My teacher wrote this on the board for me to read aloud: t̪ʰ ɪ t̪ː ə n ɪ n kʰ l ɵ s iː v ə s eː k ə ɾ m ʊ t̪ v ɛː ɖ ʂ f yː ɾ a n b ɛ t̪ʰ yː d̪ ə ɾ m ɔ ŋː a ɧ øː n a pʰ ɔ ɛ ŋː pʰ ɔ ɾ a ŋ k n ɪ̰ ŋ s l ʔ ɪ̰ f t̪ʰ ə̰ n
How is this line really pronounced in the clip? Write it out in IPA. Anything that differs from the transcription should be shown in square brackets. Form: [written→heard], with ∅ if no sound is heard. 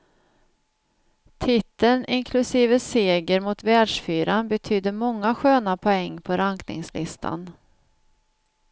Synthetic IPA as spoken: t̪ʰ ɪ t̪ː ə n ɪ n kʰ l ɵ s iː v ə s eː [k→ɡ] ə ɾ m ʊ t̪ v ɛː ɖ ʂ f yː ɾ a n b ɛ t̪ʰ yː d̪ ə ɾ m ɔ ŋː a ɧ øː n a pʰ ɔ ɛ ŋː pʰ ɔ ɾ a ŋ k n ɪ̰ ŋ s l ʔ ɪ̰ [f→s] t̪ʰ [ə̰→a̰] n

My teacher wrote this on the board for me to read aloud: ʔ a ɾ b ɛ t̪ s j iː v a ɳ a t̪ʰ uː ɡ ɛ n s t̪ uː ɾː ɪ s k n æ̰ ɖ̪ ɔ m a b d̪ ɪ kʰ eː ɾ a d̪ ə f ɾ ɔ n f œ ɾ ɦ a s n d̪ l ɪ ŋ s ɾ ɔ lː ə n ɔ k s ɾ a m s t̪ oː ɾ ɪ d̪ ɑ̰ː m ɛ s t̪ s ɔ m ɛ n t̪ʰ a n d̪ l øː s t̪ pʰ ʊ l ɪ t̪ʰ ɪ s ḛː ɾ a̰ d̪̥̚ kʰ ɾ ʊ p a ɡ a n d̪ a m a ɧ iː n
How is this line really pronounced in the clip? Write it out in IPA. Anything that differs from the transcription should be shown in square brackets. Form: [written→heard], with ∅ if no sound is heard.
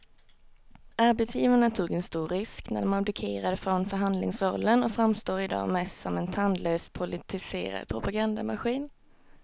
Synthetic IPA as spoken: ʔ a ɾ b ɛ t̪ s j iː v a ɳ a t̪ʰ uː ɡ ɛ n s t̪ uː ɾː ɪ s k n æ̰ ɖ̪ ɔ m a b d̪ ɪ kʰ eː ɾ a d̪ ə f ɾ ɔ n f œ ɾ ɦ a [s→∅] n d̪ l ɪ ŋ s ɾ ɔ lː ə n ɔ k [s→f] ɾ a m s t̪ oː ɾ ɪ d̪ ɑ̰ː m ɛ s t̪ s ɔ m ɛ n t̪ʰ a n d̪ l øː s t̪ pʰ ʊ l ɪ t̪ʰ ɪ s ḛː ɾ a̰ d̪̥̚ [kʰ→pʰ] ɾ ʊ p a ɡ a n d̪ a m a ɧ iː n

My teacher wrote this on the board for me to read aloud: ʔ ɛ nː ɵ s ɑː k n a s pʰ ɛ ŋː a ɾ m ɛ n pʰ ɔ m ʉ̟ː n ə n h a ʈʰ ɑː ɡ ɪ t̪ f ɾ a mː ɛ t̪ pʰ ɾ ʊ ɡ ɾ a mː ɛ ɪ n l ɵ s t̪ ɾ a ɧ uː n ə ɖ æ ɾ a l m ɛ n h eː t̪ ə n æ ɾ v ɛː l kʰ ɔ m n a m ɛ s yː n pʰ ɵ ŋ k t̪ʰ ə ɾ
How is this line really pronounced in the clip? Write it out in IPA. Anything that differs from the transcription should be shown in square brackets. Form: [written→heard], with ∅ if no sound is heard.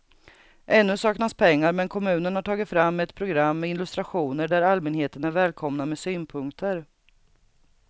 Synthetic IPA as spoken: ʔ ɛ nː ɵ s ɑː k n a s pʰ ɛ ŋː a ɾ m ɛ n [pʰ→kʰ] ɔ m ʉ̟ː n ə n h a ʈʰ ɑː ɡ ɪ t̪ f ɾ a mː ɛ t̪ pʰ ɾ ʊ ɡ ɾ a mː ɛ ɪ n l ɵ s t̪ ɾ a ɧ uː n ə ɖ æ ɾ a l m ɛ n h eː t̪ ə n æ ɾ v ɛː l kʰ ɔ m n a m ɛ s yː n pʰ ɵ ŋ k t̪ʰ ə ɾ

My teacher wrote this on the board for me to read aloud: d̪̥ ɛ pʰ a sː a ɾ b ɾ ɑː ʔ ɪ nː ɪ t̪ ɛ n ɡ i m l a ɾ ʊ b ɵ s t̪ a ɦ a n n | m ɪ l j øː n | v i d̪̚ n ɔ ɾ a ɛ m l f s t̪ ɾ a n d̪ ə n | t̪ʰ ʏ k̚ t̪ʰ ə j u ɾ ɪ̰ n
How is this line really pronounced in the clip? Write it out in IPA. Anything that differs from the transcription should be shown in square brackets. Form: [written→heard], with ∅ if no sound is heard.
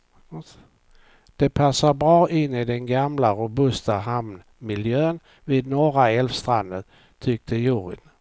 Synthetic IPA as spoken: d̪̥ ɛ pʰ a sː a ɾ b ɾ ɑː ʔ ɪ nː ɪ [t̪→d̪] ɛ n ɡ [i→a] m l a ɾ ʊ b ɵ s t̪ a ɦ a [n→m] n | m ɪ l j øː n | v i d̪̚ n ɔ ɾ a ɛ [m→∅] l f s t̪ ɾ a n d̪ ə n | t̪ʰ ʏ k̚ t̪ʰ ə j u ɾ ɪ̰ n

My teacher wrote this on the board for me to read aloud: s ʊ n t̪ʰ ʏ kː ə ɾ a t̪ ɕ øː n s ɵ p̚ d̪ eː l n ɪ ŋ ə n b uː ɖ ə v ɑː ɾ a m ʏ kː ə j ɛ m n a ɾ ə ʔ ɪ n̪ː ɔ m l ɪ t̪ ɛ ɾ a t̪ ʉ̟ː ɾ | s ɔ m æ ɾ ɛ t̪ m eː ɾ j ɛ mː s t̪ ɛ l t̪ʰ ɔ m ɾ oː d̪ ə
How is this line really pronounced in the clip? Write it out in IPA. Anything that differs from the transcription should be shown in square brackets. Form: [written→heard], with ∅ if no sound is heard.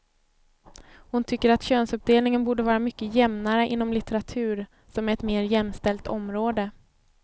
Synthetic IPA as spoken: [s→h] ʊ n t̪ʰ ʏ kː ə ɾ a t̪ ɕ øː n s ɵ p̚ d̪ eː l n ɪ ŋ ə n b uː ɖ ə v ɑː ɾ a m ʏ kː ə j ɛ m n a ɾ ə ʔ ɪ n̪ː ɔ m l ɪ t̪ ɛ ɾ a [t̪→t̪ʰ] ʉ̟ː ɾ | s ɔ m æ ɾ ɛ t̪ m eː ɾ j ɛ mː s t̪ ɛ l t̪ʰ ɔ m ɾ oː d̪ ə

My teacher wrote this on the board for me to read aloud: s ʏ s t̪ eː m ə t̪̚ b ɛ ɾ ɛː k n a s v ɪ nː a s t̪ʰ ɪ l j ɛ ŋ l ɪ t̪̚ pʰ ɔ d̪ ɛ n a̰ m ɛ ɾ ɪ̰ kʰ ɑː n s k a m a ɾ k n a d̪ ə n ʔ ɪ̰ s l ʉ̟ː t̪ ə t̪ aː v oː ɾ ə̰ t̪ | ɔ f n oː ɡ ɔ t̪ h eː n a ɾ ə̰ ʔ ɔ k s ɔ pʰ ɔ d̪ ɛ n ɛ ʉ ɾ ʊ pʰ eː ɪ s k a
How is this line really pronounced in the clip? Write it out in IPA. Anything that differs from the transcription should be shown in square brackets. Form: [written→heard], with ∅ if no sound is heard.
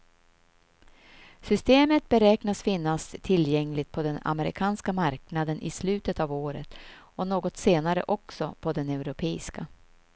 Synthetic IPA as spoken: s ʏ s t̪ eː m ə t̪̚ b ɛ ɾ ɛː k n a s [v→f] ɪ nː a s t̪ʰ ɪ l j ɛ ŋ l ɪ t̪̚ pʰ ɔ d̪ ɛ n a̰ m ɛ ɾ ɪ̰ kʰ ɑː n s k a m a ɾ k n a d̪ ə n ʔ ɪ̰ s l ʉ̟ː t̪ ə t̪ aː v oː ɾ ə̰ t̪ | ɔ [f→∅] n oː ɡ ɔ t̪ [h→s] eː n a ɾ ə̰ ʔ ɔ k s ɔ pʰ ɔ d̪ ɛ n ɛ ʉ ɾ ʊ pʰ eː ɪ s k a

